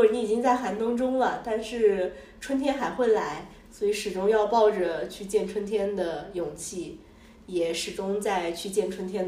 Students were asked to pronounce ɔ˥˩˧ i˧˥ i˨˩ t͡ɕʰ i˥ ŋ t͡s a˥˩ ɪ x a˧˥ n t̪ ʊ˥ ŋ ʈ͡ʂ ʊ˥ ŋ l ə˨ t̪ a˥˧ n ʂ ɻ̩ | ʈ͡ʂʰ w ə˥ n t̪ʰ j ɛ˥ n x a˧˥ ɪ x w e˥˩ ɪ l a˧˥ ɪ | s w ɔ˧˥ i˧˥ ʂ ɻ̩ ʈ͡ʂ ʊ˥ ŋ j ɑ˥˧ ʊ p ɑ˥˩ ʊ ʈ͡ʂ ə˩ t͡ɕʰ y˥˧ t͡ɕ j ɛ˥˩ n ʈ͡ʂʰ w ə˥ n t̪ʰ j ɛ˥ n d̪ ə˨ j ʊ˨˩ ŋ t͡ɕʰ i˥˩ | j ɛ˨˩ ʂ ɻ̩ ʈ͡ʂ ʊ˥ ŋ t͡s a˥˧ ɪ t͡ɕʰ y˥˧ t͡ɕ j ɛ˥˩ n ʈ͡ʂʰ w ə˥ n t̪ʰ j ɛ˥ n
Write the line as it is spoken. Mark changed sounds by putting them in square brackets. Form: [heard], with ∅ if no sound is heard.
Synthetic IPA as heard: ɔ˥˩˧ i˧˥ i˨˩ [t͡ɕ] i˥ ŋ t͡s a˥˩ ɪ x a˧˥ n t̪ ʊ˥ ŋ ʈ͡ʂ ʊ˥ ŋ l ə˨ t̪ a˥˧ n ʂ ɻ̩ | ʈ͡ʂʰ w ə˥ n t̪ʰ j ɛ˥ n x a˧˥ ɪ x w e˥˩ ɪ l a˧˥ ɪ | s w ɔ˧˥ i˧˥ ʂ ɻ̩ ʈ͡ʂ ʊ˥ ŋ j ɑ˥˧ ʊ p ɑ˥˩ ʊ ʈ͡ʂ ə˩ t͡ɕʰ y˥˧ t͡ɕ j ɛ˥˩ n ʈ͡ʂʰ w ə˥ n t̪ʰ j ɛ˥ n d̪ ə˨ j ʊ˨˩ ŋ t͡ɕʰ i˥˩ | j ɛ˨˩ ʂ ɻ̩ ʈ͡ʂ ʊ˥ ŋ t͡s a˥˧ ɪ t͡ɕʰ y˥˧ t͡ɕ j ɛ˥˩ n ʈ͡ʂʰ w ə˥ n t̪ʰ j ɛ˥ n